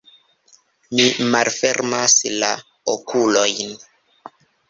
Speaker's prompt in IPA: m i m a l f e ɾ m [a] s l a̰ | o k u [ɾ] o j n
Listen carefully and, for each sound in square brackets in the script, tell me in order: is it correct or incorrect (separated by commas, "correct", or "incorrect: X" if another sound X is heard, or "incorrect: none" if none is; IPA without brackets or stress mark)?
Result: correct, incorrect: l